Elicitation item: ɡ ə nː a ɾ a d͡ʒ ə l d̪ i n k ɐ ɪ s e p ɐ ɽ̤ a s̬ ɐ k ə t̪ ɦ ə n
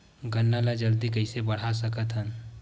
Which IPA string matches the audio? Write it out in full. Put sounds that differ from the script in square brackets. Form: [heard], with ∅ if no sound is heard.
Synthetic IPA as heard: ɡ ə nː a [l] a d͡ʒ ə l d̪ i [∅] k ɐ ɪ s e [b] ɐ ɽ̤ a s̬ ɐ k ə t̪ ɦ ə n